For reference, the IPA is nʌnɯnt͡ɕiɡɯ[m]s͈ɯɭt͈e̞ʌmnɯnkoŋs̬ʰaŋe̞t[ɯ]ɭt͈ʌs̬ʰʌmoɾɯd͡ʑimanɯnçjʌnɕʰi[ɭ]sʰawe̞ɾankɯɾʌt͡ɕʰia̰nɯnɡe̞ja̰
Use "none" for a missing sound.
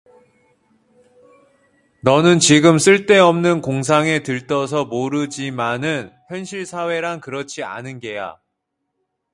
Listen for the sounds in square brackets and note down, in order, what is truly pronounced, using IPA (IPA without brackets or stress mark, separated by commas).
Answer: m, ɯ, ɭ